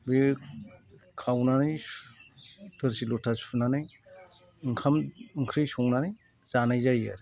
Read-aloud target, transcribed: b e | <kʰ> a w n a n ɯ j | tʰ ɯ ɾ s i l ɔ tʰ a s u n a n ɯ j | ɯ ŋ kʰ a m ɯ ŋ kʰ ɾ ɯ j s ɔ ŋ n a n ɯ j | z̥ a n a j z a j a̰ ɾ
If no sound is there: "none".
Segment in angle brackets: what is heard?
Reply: kʰ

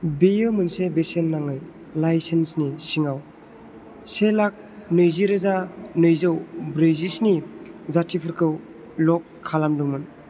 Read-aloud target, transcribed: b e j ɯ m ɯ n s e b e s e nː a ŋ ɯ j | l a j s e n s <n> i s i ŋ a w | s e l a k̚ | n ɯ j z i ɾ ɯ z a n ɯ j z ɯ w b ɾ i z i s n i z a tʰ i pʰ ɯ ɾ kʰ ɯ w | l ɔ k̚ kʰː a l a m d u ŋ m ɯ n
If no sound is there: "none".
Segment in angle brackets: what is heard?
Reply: n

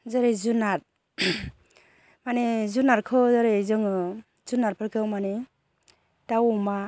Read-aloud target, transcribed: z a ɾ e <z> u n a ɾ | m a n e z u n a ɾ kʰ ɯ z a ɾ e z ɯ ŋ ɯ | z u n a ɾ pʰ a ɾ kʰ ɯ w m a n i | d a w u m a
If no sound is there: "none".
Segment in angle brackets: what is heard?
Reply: z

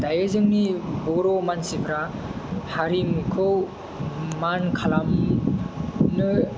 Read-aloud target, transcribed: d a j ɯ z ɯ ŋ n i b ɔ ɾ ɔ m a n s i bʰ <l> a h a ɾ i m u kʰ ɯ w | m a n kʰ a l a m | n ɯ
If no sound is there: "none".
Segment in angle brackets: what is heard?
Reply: ɾ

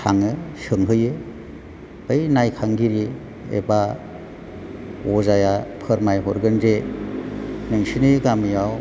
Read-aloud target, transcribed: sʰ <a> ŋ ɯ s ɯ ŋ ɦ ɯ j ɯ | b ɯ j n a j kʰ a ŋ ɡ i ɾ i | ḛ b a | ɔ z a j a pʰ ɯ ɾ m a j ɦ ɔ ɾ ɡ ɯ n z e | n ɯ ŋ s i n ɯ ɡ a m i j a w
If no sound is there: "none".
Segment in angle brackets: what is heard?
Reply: a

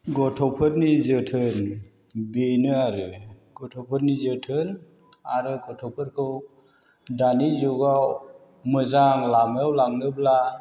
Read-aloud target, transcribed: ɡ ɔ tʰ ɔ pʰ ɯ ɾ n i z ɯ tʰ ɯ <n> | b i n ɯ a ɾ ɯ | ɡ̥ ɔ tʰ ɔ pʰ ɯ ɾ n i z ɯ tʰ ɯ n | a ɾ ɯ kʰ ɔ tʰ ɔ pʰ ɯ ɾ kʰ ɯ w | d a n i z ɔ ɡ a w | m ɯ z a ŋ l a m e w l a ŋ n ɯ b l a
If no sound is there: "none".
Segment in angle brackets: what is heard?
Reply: n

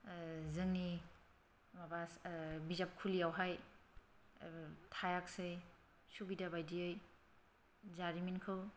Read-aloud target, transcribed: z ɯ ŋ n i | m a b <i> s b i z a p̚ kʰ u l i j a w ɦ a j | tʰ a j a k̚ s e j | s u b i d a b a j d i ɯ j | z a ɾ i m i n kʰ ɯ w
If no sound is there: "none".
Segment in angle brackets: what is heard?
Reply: a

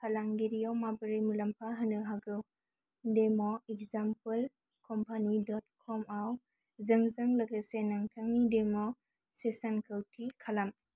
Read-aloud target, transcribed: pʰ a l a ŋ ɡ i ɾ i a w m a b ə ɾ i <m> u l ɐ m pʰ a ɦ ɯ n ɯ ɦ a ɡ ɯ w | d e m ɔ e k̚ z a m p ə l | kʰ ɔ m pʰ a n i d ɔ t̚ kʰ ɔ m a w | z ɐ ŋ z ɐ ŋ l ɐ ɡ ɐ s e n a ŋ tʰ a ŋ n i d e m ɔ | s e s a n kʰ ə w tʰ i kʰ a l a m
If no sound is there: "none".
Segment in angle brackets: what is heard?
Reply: m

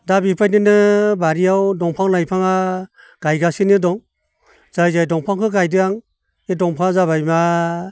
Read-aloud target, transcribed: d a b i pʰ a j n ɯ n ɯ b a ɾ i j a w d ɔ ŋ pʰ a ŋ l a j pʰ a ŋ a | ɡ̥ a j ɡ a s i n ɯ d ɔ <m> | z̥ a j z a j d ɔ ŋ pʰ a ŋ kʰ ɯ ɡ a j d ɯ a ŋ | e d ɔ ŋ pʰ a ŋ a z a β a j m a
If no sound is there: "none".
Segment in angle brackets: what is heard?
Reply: ŋ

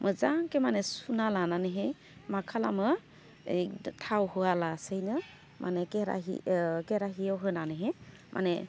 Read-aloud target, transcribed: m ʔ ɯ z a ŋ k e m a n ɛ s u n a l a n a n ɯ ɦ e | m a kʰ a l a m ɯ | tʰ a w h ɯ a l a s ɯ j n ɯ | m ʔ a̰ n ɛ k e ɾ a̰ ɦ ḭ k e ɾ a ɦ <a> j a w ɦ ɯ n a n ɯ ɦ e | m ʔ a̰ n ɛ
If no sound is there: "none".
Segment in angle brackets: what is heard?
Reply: i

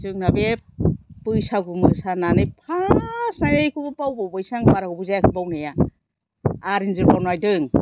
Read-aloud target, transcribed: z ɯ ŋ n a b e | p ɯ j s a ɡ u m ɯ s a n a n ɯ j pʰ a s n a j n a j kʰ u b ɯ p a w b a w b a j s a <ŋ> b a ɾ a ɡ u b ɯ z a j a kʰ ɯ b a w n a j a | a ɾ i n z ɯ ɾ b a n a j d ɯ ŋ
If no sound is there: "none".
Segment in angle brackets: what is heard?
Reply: ŋ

